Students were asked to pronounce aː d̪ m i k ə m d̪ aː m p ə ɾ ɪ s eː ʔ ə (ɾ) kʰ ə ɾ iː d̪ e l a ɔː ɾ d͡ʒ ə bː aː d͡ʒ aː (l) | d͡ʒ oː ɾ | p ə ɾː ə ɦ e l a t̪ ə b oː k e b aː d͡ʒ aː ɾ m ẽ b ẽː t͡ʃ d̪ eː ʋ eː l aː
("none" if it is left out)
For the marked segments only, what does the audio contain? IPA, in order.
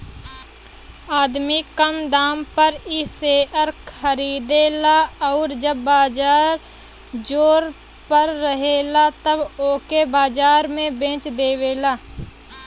ɾ, ɾ

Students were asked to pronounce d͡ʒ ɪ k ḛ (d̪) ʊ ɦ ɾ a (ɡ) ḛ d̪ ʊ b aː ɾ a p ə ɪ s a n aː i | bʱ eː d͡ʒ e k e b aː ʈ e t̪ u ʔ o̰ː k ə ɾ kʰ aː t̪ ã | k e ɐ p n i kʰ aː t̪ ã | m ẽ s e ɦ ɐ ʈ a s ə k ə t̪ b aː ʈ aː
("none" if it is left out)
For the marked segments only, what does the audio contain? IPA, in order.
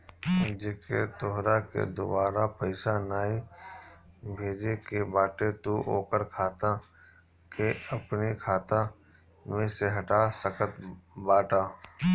t̪, k

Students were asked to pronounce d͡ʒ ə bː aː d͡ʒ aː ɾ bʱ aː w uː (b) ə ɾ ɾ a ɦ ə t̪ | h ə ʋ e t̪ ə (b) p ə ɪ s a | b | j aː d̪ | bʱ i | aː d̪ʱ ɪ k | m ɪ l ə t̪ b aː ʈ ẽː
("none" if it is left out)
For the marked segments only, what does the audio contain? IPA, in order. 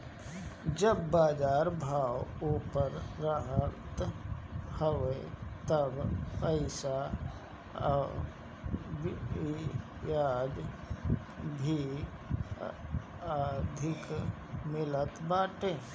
p, b

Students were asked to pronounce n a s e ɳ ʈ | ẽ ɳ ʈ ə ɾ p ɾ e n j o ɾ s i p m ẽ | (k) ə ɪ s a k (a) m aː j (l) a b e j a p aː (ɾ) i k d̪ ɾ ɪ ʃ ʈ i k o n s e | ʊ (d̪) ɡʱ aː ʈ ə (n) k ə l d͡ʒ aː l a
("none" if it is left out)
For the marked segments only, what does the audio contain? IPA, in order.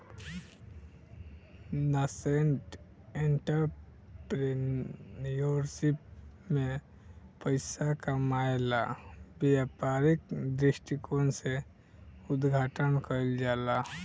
p, a, l, ɾ, d̪, n

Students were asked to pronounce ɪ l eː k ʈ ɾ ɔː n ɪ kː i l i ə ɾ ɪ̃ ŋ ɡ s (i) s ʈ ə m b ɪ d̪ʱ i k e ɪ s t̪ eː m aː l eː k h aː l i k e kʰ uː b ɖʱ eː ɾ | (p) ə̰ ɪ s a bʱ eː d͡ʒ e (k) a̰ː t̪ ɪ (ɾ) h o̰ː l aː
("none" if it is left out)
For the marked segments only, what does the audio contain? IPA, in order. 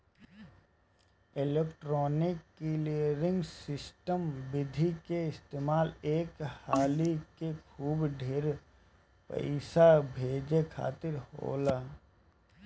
ɪ, p, kʰ, ɾ

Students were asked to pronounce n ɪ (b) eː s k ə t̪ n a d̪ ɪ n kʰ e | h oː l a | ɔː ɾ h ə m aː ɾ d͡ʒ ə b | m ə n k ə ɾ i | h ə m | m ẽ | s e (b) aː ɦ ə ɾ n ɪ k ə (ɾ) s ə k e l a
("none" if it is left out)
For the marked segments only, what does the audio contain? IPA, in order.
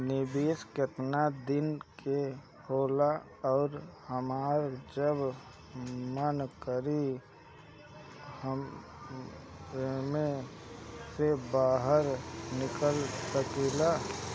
b, b, l

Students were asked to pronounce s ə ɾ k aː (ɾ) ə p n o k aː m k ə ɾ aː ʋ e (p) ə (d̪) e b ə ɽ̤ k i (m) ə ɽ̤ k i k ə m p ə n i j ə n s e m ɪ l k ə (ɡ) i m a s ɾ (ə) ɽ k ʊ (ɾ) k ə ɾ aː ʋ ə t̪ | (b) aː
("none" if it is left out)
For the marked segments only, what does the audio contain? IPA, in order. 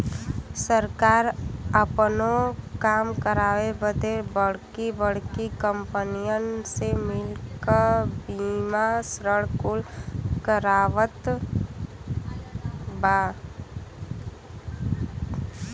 ɾ, b, d̪, b, b, ə, l, b

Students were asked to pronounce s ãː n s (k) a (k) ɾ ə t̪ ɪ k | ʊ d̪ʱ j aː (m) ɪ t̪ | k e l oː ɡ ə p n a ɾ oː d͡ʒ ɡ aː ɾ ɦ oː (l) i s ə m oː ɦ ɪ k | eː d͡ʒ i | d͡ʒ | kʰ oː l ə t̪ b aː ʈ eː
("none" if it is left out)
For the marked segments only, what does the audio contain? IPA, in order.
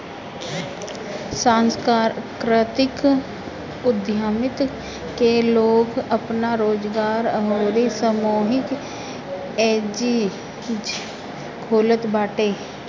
k, k, m, ɾ

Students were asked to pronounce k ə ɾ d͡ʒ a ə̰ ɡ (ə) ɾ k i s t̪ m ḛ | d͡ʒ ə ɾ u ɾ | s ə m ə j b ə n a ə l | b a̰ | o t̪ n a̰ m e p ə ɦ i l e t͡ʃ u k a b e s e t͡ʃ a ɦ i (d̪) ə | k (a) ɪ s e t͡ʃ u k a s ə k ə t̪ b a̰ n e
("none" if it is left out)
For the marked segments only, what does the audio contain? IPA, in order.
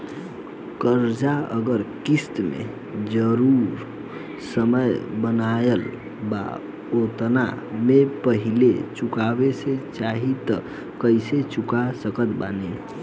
ə, t̪, ə

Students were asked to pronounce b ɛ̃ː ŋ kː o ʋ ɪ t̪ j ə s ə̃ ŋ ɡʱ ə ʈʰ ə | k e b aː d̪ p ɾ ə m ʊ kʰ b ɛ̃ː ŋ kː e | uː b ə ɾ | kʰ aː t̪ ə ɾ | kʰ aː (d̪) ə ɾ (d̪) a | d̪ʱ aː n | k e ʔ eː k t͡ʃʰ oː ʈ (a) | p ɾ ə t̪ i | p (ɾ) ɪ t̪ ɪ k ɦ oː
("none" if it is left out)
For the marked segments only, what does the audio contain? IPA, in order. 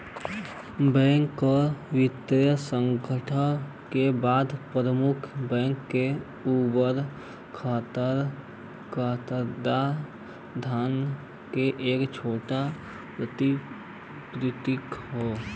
t̪, d̪, a, ɾ

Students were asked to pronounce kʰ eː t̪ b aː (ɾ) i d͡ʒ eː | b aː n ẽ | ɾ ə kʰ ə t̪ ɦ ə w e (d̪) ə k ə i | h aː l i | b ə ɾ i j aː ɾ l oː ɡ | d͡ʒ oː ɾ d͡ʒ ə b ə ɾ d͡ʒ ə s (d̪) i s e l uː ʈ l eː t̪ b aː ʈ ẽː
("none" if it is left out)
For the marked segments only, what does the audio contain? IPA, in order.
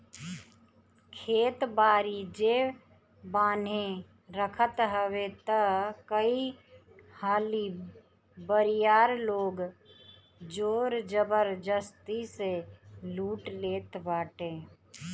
ɾ, t̪, t̪

